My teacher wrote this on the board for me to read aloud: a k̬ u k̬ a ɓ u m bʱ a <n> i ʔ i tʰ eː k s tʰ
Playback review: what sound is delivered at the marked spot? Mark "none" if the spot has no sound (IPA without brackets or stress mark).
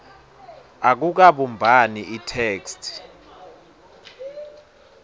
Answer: n